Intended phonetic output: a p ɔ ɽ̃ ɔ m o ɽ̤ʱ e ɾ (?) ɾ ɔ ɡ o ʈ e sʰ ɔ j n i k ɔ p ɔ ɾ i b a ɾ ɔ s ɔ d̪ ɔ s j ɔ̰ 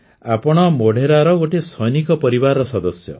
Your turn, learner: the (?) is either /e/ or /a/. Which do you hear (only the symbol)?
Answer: a